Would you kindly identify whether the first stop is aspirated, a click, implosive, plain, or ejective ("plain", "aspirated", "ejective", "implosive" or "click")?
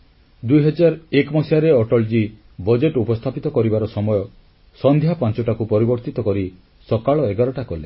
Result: plain